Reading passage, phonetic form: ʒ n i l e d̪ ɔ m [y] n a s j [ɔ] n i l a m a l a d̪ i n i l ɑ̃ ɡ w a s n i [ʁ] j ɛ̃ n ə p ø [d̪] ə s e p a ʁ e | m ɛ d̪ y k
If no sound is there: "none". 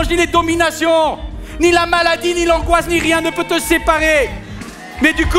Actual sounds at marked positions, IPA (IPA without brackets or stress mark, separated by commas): i, ɔ̃, ʁ, t̪